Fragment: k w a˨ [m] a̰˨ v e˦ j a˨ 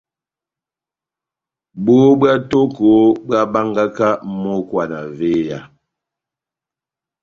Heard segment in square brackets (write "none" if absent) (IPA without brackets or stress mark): n